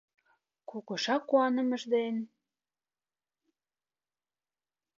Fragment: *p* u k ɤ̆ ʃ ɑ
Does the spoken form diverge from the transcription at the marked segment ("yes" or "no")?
yes